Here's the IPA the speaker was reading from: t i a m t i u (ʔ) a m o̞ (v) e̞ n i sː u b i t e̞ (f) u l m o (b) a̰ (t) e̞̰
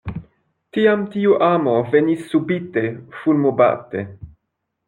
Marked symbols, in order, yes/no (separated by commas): yes, yes, yes, yes, yes